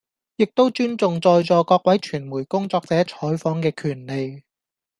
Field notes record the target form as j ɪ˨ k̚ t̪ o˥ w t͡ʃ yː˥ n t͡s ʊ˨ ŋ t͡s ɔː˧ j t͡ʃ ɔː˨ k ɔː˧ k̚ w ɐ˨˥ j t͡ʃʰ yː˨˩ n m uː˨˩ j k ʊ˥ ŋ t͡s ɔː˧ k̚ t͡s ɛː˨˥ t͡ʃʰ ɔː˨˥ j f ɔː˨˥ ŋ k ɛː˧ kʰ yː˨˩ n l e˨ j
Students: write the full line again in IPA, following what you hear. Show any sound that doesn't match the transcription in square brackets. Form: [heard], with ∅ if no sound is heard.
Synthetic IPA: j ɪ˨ k̚ t̪ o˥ w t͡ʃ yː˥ n t͡s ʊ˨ ŋ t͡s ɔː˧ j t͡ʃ ɔː˨ k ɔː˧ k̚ w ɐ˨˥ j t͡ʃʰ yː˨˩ n m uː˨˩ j k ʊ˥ ŋ t͡s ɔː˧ k̚ t͡s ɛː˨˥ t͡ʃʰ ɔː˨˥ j f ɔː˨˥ ŋ k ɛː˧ kʰ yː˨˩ n l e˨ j